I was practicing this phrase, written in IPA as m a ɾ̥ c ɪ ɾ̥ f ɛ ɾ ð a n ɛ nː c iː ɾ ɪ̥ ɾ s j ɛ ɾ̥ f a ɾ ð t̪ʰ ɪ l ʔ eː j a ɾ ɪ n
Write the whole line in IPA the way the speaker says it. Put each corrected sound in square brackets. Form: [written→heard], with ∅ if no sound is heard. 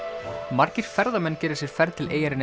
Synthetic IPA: m a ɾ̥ c ɪ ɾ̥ f ɛ ɾ ð a [n→m] ɛ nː c [iː→ɛː] ɾ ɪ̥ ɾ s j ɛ ɾ̥ f [a→ɛ] ɾ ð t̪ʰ ɪ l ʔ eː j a ɾ ɪ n